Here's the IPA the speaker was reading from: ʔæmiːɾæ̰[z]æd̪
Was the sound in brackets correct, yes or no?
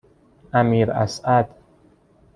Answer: no